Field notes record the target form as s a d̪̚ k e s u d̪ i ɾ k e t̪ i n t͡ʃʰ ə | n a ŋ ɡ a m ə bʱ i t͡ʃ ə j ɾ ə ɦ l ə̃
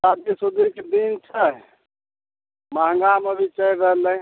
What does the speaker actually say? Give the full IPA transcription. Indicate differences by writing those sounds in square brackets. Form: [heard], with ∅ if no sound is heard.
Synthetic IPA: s a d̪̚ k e s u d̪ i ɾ k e [d̪] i n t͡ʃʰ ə | [m] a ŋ ɡ a m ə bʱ i t͡ʃ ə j ɾ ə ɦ l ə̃